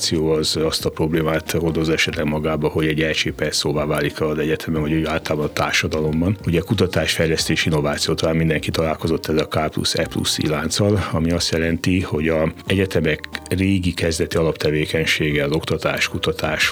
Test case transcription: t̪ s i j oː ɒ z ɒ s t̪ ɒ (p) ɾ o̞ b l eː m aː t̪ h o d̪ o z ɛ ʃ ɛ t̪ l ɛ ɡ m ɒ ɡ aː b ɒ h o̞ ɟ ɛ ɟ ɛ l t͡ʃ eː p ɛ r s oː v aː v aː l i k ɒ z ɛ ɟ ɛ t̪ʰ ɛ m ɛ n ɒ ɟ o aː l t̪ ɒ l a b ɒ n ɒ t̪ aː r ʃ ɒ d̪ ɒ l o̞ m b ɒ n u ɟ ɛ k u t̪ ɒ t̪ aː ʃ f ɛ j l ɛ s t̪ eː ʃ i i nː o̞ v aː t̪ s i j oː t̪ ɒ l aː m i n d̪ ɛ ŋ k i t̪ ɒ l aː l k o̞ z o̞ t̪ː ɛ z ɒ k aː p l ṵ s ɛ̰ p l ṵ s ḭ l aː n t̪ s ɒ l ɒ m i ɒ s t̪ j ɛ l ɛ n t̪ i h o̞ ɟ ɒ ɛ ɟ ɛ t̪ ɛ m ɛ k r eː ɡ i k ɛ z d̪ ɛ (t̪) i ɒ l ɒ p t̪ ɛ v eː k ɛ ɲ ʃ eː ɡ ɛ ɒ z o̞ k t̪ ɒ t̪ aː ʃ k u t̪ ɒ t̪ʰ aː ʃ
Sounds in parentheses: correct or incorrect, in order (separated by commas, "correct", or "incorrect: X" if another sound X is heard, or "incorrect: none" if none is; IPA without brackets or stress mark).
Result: correct, correct